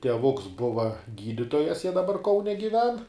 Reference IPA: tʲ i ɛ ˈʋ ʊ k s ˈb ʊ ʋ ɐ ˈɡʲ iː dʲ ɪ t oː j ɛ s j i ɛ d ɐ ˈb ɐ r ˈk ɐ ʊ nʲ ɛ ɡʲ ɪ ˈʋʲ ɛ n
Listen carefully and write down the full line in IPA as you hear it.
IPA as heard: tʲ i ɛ ˈʋ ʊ k s ˈb ʊ ʋ ɐ ˈɡʲ iː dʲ ɪ t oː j ɛ s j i ɛ d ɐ ˈb ɐ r ˈk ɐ ʊ nʲ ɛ ɡʲ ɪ ˈʋʲ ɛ n